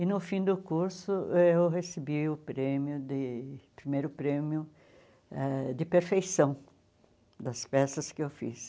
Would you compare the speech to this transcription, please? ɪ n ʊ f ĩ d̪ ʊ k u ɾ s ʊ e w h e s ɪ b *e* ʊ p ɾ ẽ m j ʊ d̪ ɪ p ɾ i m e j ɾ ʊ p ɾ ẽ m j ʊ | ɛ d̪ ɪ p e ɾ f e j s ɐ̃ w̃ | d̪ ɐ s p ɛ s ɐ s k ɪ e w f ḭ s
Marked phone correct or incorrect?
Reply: incorrect